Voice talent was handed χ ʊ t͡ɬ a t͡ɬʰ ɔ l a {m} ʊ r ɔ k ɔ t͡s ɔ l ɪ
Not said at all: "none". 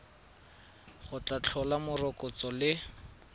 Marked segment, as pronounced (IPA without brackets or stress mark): m